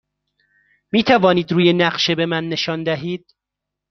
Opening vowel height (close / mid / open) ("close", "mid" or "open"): close